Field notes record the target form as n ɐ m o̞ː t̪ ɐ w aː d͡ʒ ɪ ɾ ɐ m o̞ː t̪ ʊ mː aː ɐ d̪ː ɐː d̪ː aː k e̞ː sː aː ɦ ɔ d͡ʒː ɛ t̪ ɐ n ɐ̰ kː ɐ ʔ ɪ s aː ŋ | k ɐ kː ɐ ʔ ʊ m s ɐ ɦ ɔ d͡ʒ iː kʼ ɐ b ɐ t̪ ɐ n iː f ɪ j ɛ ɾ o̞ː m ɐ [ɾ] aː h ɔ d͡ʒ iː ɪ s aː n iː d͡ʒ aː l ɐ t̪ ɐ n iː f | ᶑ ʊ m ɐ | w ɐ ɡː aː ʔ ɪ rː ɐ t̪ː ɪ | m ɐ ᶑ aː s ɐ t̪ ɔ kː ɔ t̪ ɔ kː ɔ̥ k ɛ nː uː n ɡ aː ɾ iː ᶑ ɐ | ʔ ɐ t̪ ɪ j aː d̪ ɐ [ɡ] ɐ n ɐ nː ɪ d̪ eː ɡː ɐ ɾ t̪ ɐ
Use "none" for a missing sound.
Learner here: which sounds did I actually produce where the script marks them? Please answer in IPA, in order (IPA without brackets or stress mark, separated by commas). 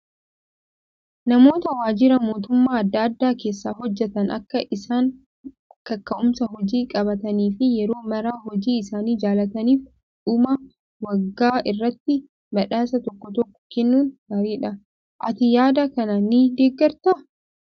ɾ, k